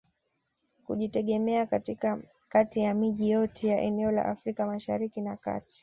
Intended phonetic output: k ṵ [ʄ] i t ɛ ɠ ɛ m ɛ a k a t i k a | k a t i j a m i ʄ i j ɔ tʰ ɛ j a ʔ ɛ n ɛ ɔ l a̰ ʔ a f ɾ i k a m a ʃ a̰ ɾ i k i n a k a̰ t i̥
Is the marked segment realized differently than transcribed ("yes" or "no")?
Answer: no